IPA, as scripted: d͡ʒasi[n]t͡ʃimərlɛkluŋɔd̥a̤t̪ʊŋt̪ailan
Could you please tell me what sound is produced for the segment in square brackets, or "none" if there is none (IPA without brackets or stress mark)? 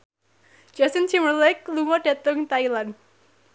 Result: n